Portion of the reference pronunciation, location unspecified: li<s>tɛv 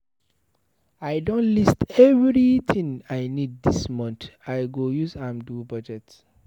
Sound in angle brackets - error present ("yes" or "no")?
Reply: no